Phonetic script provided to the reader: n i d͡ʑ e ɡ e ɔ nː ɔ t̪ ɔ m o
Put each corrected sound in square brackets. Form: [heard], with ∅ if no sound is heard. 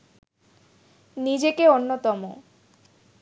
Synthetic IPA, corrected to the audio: n i d͡ʑ e [k] e [o] nː [o] t̪ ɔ m o